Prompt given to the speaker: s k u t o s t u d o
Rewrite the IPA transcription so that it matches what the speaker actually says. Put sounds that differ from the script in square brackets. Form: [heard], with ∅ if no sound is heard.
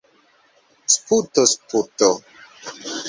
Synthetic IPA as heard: s [p] u t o s [p] u [t] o